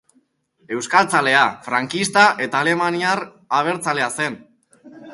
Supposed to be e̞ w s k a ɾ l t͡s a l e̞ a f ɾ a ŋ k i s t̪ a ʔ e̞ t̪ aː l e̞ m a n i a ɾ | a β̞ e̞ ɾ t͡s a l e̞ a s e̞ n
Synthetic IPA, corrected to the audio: e̞ w s k a l t͡s a l e̞ a f ɾ a ŋ k i s t̪ a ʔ e̞ t̪ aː l e̞ m a n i a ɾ | a β̞ e̞ ɾ t͡s a l e̞ a s e̞ n